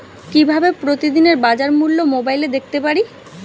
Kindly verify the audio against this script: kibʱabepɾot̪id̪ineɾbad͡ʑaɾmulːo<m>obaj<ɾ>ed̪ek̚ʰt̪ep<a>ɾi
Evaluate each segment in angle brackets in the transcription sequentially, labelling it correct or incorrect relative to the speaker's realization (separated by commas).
correct, incorrect, correct